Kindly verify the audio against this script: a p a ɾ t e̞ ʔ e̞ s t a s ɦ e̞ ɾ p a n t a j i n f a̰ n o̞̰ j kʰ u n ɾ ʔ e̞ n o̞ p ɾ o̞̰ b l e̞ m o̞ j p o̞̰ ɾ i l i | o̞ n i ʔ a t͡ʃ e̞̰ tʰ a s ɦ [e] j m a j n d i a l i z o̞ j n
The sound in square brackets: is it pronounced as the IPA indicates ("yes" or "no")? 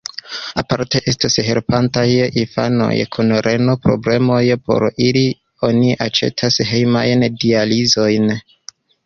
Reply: yes